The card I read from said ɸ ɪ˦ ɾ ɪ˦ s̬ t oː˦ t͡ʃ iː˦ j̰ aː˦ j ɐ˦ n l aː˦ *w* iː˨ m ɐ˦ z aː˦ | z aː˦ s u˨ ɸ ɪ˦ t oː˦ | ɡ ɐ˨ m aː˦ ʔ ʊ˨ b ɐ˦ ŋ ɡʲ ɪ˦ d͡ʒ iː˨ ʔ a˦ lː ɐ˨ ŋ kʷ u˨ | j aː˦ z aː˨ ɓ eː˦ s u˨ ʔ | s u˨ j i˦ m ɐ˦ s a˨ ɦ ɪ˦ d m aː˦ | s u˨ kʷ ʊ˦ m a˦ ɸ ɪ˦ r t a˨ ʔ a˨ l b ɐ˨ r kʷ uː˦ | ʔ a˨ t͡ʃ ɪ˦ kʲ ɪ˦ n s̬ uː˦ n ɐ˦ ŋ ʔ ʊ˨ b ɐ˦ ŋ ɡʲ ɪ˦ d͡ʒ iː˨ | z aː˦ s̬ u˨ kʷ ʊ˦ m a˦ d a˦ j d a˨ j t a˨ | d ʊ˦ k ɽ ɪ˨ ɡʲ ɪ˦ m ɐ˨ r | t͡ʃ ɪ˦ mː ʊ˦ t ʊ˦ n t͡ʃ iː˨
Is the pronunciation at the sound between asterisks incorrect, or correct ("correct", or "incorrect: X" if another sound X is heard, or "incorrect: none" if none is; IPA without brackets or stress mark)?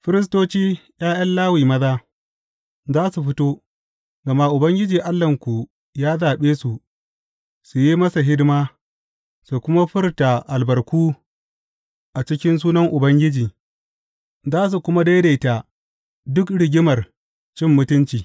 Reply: correct